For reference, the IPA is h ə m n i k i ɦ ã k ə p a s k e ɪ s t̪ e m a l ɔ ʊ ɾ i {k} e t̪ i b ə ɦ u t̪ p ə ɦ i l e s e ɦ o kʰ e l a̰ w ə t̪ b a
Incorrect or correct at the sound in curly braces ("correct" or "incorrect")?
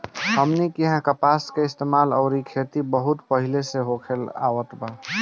incorrect